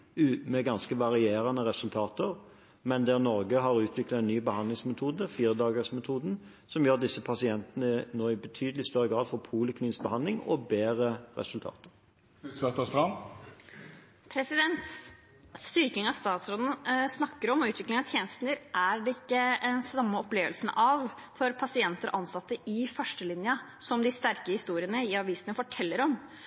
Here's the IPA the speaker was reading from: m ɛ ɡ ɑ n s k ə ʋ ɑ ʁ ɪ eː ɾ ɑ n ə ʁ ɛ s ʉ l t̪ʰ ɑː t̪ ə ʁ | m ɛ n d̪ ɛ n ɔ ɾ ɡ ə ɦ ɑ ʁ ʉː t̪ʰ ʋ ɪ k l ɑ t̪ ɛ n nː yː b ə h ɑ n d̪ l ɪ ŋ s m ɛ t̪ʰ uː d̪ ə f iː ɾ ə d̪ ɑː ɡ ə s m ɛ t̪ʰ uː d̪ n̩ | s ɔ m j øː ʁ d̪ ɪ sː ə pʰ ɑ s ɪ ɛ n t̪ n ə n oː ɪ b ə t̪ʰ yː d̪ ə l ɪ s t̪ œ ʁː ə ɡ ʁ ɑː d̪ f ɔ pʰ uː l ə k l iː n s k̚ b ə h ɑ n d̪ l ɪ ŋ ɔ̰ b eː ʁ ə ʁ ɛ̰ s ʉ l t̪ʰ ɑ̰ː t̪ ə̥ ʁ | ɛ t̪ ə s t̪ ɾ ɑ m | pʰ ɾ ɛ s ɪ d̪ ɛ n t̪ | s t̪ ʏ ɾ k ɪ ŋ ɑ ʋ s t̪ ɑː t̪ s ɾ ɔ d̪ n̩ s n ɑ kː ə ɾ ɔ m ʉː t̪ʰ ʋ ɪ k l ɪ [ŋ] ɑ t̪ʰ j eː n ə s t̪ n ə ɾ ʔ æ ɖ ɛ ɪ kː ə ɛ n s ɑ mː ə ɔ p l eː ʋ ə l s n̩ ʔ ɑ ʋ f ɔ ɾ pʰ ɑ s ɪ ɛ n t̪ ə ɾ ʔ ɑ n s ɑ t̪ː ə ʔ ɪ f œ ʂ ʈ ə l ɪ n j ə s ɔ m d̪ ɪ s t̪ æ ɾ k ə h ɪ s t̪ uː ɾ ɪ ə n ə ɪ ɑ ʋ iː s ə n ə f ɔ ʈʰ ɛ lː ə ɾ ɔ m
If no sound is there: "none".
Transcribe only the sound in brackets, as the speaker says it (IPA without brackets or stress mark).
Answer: ŋ